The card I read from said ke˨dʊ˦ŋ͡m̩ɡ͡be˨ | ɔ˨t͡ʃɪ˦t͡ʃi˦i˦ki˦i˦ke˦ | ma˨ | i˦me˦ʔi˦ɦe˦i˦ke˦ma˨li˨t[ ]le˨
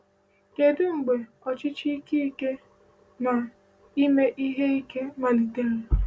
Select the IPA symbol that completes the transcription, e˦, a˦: e˦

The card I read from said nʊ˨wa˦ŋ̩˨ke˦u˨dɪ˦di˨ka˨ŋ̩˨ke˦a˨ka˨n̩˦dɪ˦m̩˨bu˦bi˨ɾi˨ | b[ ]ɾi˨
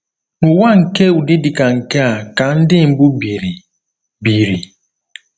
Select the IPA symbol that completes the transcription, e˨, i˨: i˨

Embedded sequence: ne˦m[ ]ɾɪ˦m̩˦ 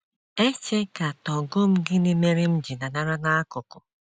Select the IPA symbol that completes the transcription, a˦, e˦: e˦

